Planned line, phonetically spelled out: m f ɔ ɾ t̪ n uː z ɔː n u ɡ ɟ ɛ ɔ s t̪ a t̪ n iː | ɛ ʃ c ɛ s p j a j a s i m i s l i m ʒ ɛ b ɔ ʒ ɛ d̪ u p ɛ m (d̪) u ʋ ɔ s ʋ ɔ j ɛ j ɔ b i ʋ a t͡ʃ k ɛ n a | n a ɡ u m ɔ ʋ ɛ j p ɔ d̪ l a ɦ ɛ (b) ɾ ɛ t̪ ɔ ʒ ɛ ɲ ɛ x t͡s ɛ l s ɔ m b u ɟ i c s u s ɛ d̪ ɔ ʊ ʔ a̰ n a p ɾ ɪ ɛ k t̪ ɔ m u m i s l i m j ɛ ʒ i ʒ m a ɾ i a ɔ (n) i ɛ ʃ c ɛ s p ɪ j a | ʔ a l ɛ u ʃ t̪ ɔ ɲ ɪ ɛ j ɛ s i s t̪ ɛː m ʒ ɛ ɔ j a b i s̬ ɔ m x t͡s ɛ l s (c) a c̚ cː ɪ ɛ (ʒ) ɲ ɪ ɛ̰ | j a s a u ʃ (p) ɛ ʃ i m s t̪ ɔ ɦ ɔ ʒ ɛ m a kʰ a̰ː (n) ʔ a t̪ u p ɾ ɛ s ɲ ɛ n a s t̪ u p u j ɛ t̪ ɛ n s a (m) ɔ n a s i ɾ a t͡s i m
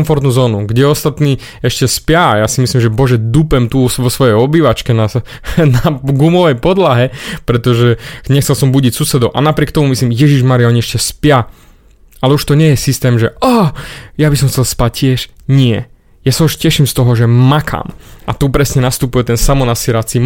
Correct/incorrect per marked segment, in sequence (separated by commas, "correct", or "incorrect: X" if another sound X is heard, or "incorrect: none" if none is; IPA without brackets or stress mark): incorrect: t̪, incorrect: p, incorrect: ɲ, incorrect: p, incorrect: ʃ, incorrect: c, incorrect: m, correct